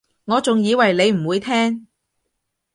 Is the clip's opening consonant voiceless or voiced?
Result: voiced